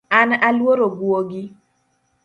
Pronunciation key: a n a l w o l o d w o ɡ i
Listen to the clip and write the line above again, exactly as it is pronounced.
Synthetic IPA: a n a l w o ɾ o ɡ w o ɡ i

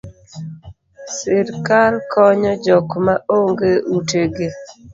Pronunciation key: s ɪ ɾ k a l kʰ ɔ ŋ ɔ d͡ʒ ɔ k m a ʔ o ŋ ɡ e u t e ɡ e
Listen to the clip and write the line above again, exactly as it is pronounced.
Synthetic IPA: s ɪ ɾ k a l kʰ ɔ ɲ ɔ d͡ʒ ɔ k m a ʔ o ŋ ɡ e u t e ɡ e

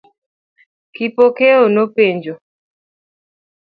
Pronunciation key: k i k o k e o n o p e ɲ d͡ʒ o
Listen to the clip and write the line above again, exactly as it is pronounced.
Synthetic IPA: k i p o k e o n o p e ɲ d͡ʒ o

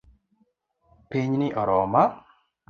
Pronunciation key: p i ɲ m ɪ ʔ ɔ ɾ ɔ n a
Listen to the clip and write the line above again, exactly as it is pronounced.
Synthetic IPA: p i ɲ n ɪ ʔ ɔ ɾ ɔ m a

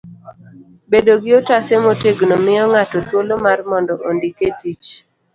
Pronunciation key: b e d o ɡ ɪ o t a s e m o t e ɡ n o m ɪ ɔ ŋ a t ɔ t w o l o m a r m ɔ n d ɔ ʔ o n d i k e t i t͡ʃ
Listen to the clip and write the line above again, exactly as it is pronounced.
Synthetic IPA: b e d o ɡ ɪ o t a s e m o t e ɡ n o m ɪ ɔ ŋ a t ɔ t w o l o m a r m ɔ n d ɔ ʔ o n d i k e t i t͡ʃ

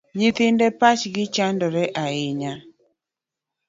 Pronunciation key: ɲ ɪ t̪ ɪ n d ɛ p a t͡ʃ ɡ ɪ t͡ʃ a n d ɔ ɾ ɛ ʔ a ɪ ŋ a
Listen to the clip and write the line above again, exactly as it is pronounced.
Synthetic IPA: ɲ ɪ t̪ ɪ n d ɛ p a t͡ʃ ɡ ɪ t͡ʃ a n d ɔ ɾ ɛ ʔ a ɪ ɲ a

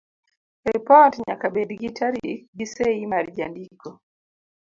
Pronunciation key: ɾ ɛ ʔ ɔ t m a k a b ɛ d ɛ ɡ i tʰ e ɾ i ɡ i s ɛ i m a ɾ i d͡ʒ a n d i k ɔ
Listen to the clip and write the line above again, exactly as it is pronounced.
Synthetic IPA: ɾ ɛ p ɔ t ɲ a k a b ɛ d i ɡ i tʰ a ɾ i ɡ i s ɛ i m a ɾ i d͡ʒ a n d i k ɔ

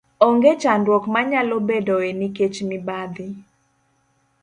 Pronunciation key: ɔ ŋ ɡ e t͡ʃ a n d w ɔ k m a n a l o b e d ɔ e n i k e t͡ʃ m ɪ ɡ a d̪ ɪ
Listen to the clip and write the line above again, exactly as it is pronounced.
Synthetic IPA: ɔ ŋ ɡ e t͡ʃ a n d w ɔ k m a ɲ a l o b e d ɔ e n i k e t͡ʃ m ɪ b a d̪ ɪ

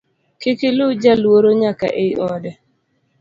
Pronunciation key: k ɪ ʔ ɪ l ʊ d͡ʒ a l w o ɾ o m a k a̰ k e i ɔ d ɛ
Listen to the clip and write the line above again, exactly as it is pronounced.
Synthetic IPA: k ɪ k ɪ l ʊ d͡ʒ a l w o ɾ o ɲ a k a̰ ʔ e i ɔ d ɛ

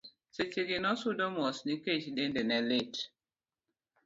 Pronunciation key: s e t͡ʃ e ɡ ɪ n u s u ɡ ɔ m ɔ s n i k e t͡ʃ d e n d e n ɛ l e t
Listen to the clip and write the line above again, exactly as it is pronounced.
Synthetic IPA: s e t͡ʃ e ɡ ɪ n ɔ s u d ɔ m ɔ s n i k e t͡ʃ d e n d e n ɛ l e t

